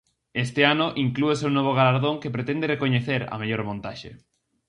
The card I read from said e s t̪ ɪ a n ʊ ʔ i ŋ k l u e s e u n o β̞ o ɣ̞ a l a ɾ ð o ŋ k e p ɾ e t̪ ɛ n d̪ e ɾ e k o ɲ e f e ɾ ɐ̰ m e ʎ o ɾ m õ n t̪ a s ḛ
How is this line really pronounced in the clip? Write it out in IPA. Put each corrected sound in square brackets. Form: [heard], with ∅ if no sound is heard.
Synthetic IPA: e s t̪ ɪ a n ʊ ʔ i ŋ k l u e s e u n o β̞ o ɣ̞ a l a ɾ ð o ŋ k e p ɾ e t̪ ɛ n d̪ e [r] e k o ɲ e [θ] e ɾ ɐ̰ m e ʎ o ɾ m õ n t̪ a [ʃ] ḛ

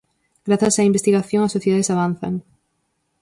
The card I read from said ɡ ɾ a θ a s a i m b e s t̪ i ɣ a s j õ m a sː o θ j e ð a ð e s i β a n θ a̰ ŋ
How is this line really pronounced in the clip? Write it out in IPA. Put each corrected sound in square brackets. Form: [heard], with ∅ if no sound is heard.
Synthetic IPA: ɡ ɾ a θ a s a i m b e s t̪ i ɣ a [θ] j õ [ŋ] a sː o θ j e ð a ð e s [a] β a n θ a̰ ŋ

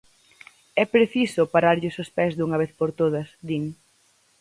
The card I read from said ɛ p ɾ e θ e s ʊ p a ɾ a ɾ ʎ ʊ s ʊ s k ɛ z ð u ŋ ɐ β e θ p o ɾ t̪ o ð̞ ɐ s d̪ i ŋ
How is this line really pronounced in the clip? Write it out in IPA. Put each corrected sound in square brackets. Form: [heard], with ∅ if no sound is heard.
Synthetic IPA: ɛ p ɾ e θ [i] s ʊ p a ɾ a ɾ ʎ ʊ s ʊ s [p] ɛ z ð u ŋ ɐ β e θ p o ɾ t̪ o ð̞ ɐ s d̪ i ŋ

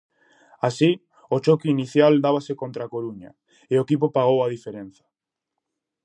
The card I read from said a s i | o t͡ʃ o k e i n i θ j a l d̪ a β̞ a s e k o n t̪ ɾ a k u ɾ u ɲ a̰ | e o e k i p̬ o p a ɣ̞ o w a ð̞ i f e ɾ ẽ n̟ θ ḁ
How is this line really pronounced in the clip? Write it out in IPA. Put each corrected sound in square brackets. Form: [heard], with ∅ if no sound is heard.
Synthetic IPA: a s i | o t͡ʃ o k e i n i θ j a l d̪ a β̞ a s e k o n t̪ ɾ a k [o] ɾ u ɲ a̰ | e o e k i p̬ o p a ɣ̞ o w a ð̞ i f e ɾ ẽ n̟ θ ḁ

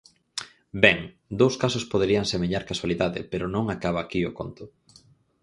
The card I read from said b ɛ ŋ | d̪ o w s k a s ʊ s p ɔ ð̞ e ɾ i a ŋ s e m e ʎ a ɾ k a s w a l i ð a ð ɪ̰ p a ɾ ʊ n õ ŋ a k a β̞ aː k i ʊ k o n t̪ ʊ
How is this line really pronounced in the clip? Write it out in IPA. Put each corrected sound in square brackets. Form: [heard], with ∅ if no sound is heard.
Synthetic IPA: b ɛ ŋ | d̪ o w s k a s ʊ s p [o] ð̞ e ɾ i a ŋ s e m e ʎ a ɾ k a s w a l i ð a ð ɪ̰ p [e] ɾ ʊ n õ ŋ a k a β̞ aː k i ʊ k o n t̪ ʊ

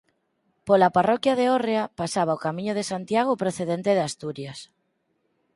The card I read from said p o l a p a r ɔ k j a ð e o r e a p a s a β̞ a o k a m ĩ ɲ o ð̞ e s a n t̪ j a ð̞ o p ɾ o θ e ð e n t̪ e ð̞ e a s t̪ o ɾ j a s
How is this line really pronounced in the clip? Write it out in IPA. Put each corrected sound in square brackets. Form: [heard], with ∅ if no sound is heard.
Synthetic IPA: p o l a p a r ɔ k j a ð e o r e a p a s a β̞ a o k a m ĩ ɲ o ð̞ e s a n t̪ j a [ɣ̞] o p ɾ o θ e ð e n t̪ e ð̞ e a s t̪ [u] ɾ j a s

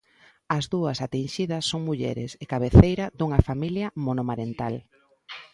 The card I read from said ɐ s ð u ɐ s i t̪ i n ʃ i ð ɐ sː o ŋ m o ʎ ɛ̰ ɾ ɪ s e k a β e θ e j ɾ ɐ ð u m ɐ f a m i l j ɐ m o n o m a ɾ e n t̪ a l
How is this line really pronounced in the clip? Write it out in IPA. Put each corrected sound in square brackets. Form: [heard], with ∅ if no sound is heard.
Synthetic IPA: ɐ [z] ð u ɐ s [a] t̪ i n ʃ i ð ɐ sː o ŋ m [u] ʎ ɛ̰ ɾ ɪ s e k a β e θ e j ɾ ɐ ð u [ŋ] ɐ f a m i l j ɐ m o n o m a ɾ e n t̪ a l

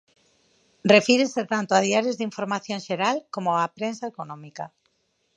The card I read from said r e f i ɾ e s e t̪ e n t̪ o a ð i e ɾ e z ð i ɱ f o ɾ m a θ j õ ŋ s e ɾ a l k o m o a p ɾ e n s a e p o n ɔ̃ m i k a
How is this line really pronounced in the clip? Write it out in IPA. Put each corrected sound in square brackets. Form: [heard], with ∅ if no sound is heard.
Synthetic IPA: r e f i ɾ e s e t̪ [a] n t̪ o a ð i [a] ɾ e z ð i ɱ f o ɾ m a θ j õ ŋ [ʃ] e ɾ a l k o m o a p ɾ e n s a e [k] o n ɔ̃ m i k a

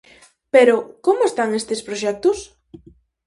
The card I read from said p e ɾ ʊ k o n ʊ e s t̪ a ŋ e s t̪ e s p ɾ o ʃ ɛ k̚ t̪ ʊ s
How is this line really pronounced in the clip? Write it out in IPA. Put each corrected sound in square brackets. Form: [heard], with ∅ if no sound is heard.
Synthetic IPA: p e ɾ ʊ k o [m] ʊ e s t̪ a ŋ e s t̪ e s p ɾ o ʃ ɛ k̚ t̪ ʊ s

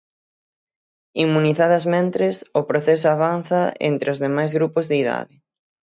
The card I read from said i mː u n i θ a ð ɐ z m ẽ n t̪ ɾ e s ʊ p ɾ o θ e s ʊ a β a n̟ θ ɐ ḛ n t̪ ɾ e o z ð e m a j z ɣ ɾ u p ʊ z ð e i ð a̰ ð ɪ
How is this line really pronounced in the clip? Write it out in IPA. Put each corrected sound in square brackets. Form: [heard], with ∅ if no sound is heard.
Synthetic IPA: i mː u n i θ a ð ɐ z m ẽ n t̪ ɾ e s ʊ p ɾ o θ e s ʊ a β a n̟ θ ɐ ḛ n t̪ ɾ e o z ð e m a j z ɣ ɾ u p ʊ z ð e i ð a̰ ð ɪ

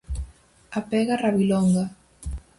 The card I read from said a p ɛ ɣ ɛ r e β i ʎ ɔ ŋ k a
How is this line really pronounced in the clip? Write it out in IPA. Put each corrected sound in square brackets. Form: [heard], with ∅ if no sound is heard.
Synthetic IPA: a p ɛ ɣ [a] r [a] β i [l] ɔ ŋ [ɡ] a

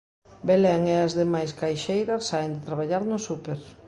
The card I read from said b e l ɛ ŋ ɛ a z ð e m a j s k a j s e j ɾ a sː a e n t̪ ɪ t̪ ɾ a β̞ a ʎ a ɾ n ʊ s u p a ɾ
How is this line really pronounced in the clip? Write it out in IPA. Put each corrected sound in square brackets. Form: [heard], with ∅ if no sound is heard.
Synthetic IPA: b e l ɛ ŋ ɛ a z ð e m a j s k a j [ʃ] e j ɾ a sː a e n [d̪] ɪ t̪ ɾ a β̞ a ʎ a ɾ n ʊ s u p [e] ɾ

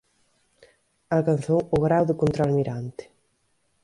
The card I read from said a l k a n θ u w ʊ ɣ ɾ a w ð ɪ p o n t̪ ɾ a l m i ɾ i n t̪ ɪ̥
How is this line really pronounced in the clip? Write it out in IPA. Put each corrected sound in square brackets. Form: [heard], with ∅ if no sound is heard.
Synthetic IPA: a l k a n θ [o] w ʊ ɣ ɾ a w ð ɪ [k] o n t̪ ɾ a l m i ɾ [a] n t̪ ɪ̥

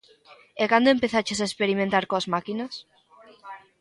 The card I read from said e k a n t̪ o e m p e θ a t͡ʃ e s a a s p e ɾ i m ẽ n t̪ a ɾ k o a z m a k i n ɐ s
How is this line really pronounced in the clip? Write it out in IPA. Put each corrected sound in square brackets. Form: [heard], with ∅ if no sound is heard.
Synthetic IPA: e k a n [d̪] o e m p e θ a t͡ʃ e s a [e] s p e ɾ i m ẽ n t̪ a ɾ k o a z m a k i n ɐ s

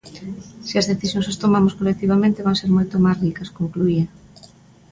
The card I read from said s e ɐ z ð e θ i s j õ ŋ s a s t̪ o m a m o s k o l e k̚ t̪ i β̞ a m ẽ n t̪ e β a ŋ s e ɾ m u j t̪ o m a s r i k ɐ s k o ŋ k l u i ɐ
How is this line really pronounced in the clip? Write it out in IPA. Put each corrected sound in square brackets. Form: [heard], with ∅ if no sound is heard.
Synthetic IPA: s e ɐ z ð e θ i s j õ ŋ s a s t̪ o m a m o s k o l e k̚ t̪ i β̞ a m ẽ n t̪ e β a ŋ s e ɾ m [o] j t̪ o m a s r i k ɐ s k o ŋ k l u i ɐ

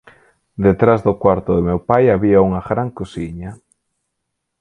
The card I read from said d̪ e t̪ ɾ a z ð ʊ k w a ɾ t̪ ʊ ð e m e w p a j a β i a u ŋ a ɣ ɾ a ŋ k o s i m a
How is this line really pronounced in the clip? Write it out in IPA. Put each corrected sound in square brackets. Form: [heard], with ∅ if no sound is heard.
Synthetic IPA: d̪ e t̪ ɾ a z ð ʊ k w a ɾ t̪ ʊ ð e m e w p a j a β i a u ŋ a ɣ ɾ a ŋ k o s i [ɲ] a

